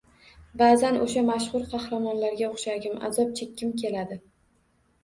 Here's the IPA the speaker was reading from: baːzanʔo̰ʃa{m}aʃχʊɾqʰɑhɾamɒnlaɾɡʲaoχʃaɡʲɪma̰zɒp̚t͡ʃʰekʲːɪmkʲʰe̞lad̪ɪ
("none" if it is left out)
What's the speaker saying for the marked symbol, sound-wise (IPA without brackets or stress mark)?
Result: m